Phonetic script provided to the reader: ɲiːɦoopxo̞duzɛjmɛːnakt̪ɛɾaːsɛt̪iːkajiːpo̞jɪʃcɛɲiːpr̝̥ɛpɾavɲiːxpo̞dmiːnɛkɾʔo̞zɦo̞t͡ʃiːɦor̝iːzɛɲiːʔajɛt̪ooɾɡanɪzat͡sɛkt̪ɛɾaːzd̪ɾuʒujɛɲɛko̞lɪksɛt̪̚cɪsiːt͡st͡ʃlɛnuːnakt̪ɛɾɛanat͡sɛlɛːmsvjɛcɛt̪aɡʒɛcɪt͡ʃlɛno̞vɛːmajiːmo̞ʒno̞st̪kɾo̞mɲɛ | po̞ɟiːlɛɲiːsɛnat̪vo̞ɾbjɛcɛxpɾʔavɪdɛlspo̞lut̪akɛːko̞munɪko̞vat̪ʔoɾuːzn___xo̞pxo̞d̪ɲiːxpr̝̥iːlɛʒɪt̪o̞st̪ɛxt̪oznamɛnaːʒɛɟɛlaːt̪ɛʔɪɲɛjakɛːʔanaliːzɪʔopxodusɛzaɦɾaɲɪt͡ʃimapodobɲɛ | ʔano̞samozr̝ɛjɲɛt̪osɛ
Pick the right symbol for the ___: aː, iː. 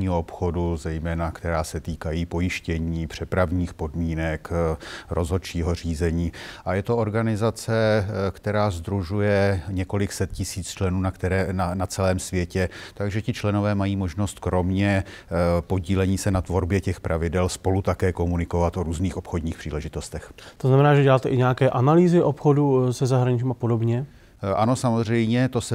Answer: iː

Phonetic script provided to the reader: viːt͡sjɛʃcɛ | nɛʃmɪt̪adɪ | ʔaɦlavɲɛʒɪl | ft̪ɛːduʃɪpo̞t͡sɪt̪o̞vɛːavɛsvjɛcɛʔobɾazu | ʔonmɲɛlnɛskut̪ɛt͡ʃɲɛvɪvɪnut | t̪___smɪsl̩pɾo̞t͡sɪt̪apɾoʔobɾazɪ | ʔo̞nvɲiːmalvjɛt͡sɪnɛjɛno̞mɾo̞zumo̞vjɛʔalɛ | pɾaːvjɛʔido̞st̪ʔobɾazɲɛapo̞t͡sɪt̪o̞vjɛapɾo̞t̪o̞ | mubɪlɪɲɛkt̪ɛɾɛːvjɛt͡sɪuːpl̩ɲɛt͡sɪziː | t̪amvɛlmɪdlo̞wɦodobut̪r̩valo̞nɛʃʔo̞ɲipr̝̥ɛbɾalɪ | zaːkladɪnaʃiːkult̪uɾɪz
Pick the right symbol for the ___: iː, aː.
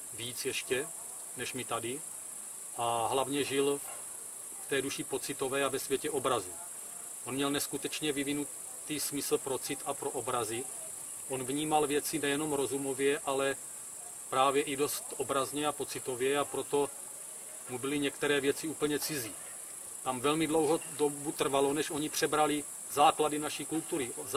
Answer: iː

